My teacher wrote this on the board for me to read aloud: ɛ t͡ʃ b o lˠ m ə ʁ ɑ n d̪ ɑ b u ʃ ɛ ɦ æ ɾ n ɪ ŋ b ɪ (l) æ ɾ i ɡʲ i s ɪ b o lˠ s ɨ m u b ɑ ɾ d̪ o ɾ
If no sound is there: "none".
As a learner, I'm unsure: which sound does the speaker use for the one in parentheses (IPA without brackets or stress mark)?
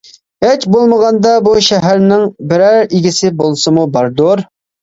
ɾ